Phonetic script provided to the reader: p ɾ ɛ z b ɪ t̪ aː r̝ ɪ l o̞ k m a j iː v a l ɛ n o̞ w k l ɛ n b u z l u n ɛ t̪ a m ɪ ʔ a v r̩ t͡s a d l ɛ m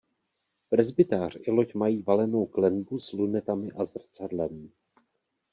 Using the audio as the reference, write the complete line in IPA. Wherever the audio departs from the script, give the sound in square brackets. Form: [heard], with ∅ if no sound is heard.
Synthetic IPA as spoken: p ɾ ɛ z b ɪ t̪ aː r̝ ɪ l o̞ [c] m a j iː v a l ɛ n o̞ w k l ɛ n b u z l u n ɛ t̪ a m ɪ ʔ a [z] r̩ t͡s a d l ɛ m